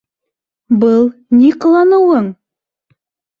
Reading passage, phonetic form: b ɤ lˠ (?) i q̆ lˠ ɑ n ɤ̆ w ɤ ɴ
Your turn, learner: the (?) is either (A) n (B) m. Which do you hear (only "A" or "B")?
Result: A